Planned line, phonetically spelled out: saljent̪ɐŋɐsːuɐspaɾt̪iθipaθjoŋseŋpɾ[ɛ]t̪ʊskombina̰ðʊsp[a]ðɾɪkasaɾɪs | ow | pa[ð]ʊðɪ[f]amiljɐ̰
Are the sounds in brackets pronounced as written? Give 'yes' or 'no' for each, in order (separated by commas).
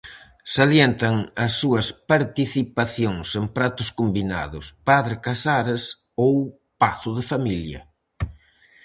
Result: no, yes, no, yes